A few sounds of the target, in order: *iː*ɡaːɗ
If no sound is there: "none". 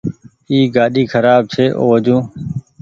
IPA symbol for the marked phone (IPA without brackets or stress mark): iː